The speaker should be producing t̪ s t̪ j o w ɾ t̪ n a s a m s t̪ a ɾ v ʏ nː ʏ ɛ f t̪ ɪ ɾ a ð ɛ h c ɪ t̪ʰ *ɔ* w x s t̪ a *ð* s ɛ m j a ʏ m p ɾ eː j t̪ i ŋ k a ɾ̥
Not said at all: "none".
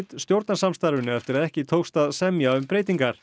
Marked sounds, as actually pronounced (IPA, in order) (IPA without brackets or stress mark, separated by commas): o, ð